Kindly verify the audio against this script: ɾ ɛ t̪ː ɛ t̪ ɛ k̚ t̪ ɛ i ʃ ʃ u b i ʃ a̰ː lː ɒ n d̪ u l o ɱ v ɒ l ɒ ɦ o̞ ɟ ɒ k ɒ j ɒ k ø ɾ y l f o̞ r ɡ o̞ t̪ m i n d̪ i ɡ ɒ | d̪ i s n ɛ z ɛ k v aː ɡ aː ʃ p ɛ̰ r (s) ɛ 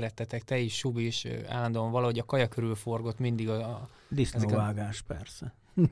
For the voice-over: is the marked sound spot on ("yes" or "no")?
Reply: yes